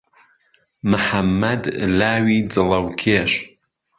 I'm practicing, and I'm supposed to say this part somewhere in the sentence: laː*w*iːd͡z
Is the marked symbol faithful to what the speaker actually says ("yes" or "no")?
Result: yes